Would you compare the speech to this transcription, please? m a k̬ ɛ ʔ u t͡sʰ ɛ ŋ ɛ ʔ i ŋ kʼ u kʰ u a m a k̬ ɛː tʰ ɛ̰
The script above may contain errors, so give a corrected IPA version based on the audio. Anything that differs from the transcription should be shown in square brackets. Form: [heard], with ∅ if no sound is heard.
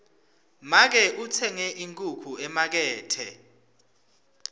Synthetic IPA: m a k̬ ɛ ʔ u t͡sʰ ɛ ŋ ɛ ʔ i ŋ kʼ u kʰ u [ɛ] m a k̬ ɛː tʰ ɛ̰